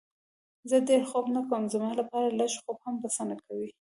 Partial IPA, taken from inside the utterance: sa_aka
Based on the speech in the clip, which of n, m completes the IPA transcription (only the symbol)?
n